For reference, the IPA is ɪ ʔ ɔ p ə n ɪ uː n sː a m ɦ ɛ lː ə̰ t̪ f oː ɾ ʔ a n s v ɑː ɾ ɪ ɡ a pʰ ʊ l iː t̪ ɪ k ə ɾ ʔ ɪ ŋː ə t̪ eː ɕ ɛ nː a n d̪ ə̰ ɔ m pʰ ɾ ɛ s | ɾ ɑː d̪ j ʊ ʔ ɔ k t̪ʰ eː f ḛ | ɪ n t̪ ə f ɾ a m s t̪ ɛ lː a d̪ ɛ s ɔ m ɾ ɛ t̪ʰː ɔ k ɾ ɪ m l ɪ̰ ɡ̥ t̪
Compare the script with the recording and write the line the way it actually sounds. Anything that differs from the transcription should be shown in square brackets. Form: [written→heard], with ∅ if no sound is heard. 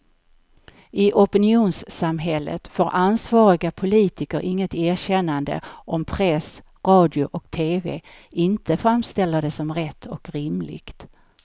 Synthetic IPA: ɪ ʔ ɔ p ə n ɪ uː n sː a m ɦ ɛ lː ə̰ t̪ f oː ɾ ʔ a n s v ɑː ɾ ɪ ɡ a pʰ ʊ l iː t̪ ɪ k ə ɾ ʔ ɪ ŋː ə t̪ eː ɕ ɛ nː a n d̪ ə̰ ɔ m pʰ ɾ ɛ s | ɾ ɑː d̪ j ʊ ʔ ɔ k t̪ʰ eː [f→v] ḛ | ɪ n t̪ ə f ɾ a m s t̪ ɛ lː a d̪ ɛ s ɔ m ɾ ɛ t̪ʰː ɔ k ɾ ɪ m l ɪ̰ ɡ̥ t̪